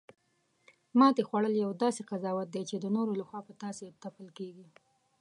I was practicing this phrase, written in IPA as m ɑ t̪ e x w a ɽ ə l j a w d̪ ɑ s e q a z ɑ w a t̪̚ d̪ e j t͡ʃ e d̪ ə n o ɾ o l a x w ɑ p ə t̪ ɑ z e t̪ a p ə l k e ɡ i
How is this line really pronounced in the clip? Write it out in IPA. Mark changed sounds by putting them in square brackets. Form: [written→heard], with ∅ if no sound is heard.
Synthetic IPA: m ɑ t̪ e x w a ɽ ə l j a w d̪ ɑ s e q a z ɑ w a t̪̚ d̪ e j t͡ʃ e d̪ ə n o ɾ o l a x w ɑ p ə t̪ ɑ [z→s] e t̪ a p ə l k e ɡ i